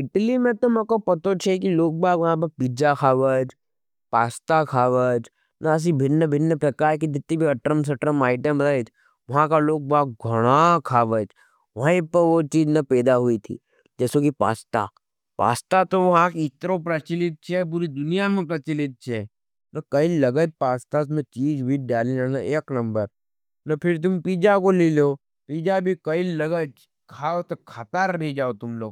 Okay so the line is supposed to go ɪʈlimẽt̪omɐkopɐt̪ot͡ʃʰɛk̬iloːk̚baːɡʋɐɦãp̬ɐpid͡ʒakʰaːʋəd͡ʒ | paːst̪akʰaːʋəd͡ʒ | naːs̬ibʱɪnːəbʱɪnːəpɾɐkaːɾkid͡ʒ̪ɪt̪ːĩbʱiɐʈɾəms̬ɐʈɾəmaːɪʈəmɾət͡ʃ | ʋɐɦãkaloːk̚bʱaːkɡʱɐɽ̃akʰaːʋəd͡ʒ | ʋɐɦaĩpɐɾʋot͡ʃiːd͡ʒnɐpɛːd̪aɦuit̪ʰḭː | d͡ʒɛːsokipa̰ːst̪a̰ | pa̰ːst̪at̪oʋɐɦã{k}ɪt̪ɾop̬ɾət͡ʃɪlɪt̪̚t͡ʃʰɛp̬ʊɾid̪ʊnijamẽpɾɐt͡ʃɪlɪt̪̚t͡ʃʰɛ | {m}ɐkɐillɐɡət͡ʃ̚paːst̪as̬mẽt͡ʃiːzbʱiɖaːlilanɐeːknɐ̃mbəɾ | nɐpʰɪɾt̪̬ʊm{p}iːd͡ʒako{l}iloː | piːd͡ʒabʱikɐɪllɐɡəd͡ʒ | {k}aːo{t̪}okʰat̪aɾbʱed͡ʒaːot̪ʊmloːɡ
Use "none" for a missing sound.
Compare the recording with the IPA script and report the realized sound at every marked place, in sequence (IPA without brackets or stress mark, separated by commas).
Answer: k, n, p, l, kʰ, t̪